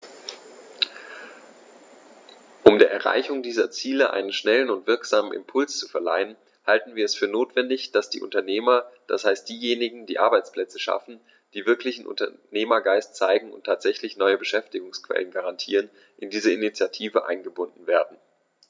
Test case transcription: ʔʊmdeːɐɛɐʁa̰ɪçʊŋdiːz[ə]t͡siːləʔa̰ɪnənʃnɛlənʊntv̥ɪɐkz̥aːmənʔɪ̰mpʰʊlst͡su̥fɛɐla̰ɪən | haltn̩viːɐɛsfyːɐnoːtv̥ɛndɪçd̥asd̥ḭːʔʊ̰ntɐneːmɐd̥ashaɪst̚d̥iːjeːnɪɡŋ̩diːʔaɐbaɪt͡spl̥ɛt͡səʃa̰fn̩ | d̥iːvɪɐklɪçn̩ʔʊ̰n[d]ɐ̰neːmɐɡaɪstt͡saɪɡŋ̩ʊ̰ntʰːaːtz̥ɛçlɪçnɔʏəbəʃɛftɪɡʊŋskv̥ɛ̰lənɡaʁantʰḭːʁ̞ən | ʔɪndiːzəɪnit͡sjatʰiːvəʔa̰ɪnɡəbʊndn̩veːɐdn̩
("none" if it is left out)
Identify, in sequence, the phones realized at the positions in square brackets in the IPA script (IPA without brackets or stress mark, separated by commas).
ɐ, t